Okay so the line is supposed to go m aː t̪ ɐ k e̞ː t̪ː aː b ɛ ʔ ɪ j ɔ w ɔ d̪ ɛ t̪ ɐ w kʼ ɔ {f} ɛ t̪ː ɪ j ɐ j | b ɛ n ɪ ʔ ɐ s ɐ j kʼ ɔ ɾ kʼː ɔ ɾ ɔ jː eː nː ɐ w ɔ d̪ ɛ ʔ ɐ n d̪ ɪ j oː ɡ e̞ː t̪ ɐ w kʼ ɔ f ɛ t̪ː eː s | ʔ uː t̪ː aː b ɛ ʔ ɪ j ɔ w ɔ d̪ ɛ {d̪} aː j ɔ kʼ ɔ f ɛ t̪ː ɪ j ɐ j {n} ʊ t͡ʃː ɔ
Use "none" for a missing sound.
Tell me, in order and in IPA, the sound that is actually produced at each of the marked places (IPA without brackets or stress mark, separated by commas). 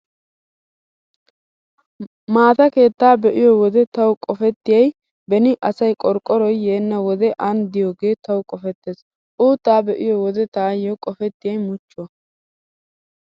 f, t̪, m